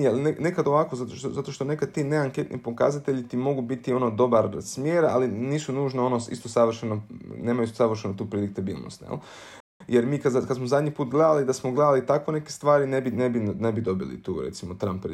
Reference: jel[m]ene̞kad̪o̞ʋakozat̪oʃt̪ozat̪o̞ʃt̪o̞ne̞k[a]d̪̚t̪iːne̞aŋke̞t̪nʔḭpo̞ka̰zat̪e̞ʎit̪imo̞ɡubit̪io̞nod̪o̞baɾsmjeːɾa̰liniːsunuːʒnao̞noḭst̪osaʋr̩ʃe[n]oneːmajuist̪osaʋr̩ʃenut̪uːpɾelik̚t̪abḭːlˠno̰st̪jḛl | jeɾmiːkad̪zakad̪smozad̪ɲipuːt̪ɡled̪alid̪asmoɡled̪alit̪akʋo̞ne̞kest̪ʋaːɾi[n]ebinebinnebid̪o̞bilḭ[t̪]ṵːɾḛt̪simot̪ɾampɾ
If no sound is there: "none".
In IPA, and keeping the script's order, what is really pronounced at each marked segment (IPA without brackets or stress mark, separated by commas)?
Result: n, a, n, n, t̪